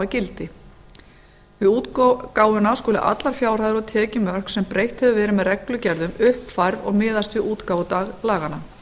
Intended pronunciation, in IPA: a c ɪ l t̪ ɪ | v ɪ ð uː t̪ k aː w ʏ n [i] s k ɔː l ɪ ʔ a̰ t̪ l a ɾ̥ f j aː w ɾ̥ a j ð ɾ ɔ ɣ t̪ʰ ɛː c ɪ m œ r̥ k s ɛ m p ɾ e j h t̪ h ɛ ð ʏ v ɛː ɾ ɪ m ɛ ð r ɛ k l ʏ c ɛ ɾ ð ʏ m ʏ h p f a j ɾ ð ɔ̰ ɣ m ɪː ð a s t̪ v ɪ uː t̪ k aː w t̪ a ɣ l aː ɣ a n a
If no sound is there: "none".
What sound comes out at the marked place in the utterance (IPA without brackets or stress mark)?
a